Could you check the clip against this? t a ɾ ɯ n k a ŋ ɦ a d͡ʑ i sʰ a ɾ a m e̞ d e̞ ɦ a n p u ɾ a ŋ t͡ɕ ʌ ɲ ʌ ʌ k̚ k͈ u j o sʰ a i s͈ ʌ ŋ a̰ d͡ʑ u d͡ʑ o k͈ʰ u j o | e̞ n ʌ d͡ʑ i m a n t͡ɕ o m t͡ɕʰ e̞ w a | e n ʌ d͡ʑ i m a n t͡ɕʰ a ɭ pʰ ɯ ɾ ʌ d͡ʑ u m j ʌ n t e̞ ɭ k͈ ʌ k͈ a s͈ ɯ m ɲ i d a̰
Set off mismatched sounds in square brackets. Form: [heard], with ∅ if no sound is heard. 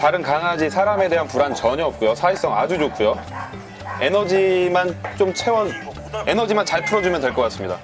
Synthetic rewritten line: t a ɾ ɯ n k a ŋ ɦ a d͡ʑ i sʰ a ɾ a m e̞ d e̞ ɦ a n p u ɾ a [n] t͡ɕ ʌ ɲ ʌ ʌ [p̚] k͈ u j o sʰ a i s͈ ʌ ŋ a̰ d͡ʑ u d͡ʑ o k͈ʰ u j o | e̞ n ʌ d͡ʑ i m a n t͡ɕ o m t͡ɕʰ e̞ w [ʌ] | e n ʌ d͡ʑ i m a n [t͡ɕ] a ɭ pʰ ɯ ɾ ʌ d͡ʑ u m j ʌ n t e̞ ɭ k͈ ʌ k͈ a s͈ ɯ m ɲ i d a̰